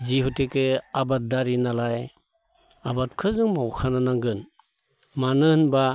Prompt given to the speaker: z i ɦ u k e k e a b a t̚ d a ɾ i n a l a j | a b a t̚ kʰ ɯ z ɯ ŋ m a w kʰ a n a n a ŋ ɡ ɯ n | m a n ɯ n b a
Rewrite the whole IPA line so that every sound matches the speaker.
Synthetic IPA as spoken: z i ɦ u t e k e a b a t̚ d a ɾ i n a l a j | a b a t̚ kʰ ɯ z ɯ ŋ m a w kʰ a n a n a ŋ ɡ ɯ n | m a n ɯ n b a